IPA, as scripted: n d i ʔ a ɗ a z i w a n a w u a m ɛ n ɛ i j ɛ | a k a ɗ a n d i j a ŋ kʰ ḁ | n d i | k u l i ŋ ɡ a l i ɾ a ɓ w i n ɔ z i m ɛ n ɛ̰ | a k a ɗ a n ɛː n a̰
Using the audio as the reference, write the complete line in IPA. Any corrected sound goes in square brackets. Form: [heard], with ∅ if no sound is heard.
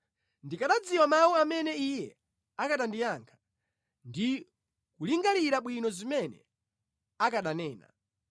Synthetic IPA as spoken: n d i [k] a ɗ a [d͡z] i w a [m] a w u a m ɛ n ɛ i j ɛ | a k a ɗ a n d i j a ŋ kʰ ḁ | n d i | k u l i ŋ ɡ a l i ɾ a ɓ w i n ɔ z i m ɛ n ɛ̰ | a k a ɗ a n ɛː n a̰